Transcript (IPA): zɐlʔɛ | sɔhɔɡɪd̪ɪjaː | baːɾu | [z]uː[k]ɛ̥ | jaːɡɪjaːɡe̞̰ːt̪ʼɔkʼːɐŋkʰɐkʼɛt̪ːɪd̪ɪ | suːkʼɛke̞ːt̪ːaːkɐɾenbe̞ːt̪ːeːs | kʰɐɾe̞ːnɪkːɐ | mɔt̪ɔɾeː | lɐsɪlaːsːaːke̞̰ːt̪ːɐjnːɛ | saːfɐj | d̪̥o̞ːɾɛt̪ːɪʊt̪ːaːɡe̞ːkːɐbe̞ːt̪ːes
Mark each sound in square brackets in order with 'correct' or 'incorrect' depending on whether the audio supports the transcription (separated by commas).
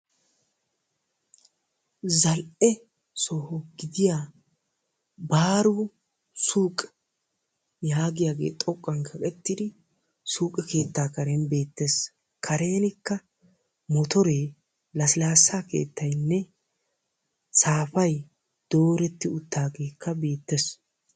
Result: incorrect, incorrect